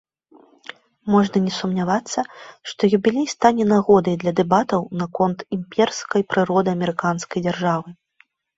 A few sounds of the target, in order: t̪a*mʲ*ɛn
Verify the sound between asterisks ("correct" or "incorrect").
incorrect